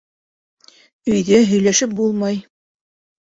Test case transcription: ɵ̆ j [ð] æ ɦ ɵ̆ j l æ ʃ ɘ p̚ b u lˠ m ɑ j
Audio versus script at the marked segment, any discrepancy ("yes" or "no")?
no